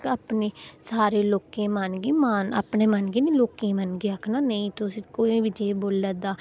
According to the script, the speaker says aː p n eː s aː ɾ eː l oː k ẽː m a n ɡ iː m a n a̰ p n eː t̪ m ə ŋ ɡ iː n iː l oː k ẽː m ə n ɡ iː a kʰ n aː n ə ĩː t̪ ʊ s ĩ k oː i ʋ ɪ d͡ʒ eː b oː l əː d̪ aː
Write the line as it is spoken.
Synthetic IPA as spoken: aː p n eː s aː ɾ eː l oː k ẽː m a n ɡ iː m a n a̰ p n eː m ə n ɡ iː n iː l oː k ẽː m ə n ɡ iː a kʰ n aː n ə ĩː t̪ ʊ s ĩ k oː i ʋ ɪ d͡ʒ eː b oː l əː d̪ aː